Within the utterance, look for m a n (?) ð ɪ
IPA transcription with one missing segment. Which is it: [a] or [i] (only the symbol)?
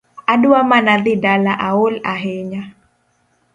a